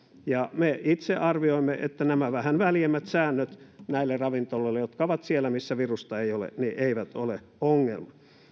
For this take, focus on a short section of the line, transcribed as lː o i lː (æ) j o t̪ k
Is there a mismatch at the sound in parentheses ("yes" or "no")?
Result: yes